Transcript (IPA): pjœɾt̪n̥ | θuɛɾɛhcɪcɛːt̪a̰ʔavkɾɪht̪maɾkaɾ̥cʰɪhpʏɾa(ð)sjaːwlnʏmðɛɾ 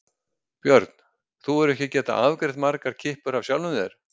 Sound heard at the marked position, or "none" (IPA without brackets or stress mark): v